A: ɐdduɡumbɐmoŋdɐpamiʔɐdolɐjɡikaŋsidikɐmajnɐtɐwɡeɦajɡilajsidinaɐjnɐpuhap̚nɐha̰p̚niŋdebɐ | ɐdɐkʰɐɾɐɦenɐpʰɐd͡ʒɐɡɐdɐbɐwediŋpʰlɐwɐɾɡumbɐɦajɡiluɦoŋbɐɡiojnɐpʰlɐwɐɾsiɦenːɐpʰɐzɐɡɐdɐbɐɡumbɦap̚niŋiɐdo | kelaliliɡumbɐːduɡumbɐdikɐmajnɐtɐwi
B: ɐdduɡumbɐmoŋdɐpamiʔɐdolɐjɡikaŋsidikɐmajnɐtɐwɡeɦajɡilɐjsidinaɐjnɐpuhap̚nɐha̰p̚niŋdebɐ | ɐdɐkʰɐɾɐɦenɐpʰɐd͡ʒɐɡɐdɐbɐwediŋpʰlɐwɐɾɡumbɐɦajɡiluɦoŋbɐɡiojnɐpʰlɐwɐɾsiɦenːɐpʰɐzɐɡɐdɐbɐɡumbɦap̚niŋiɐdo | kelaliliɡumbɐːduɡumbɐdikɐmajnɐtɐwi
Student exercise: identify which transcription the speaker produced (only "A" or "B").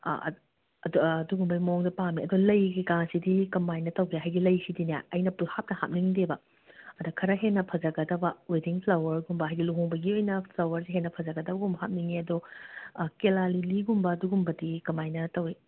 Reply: B